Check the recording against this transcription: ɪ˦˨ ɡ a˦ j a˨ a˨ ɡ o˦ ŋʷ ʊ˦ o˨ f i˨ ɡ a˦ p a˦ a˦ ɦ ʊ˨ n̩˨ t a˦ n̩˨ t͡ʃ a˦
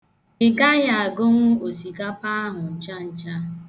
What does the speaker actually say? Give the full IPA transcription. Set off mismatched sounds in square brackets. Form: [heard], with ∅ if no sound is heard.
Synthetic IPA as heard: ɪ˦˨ ɡ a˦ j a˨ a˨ ɡ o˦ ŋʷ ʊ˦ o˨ [s] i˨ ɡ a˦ p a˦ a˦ ɦ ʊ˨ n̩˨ [t͡ʃ] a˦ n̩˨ t͡ʃ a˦